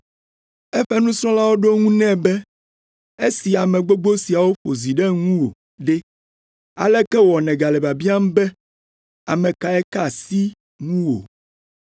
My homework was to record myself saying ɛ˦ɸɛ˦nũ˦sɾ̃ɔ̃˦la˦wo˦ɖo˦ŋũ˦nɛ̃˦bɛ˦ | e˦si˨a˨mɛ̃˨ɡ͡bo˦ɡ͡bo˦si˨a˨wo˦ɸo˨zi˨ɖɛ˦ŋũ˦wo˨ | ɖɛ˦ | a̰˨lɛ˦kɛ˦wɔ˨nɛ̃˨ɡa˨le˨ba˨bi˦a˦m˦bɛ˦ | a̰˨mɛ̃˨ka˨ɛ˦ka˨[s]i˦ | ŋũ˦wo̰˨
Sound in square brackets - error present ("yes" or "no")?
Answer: no